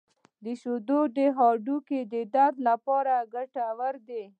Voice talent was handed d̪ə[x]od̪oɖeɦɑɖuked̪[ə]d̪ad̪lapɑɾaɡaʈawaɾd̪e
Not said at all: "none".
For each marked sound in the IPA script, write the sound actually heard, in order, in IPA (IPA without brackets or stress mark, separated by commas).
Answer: ʃ, ə